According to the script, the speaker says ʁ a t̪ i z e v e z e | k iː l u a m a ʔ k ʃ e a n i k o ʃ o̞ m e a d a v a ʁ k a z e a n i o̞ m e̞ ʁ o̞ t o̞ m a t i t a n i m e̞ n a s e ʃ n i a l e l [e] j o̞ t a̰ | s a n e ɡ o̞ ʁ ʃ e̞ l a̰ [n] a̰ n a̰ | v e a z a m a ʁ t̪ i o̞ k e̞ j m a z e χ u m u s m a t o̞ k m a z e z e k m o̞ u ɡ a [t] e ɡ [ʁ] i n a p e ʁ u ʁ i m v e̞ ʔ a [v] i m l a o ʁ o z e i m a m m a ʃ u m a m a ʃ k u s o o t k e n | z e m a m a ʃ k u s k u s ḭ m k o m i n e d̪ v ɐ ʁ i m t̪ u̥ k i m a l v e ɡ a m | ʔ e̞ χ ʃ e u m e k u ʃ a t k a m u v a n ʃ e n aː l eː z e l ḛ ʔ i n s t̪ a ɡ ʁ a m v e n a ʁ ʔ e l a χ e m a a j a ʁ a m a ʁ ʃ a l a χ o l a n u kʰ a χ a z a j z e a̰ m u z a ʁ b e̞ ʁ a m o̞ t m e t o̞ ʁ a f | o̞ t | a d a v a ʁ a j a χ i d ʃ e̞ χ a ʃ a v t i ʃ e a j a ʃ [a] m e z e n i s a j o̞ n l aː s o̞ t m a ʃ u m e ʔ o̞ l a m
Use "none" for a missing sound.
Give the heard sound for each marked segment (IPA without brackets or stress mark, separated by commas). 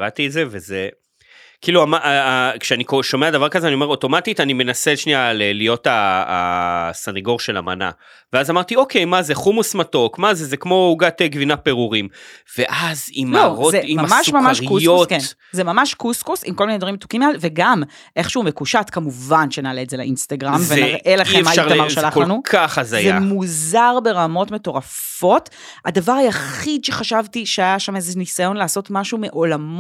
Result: i, m, t, v, z, a